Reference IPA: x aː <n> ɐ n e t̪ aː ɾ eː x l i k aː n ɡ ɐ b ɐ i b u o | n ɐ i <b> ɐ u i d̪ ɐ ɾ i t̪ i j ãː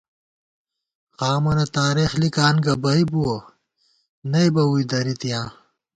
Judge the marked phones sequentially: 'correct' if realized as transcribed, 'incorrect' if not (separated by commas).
incorrect, correct